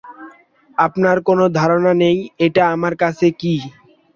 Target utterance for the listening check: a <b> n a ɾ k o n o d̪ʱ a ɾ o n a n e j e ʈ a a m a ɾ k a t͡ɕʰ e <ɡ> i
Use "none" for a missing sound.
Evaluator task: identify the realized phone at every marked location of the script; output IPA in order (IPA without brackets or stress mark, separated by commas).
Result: p, k